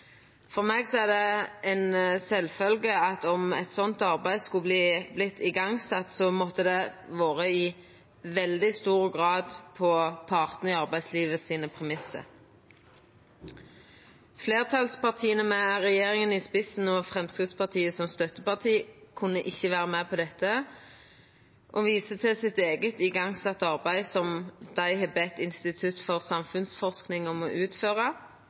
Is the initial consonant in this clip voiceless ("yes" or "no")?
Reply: yes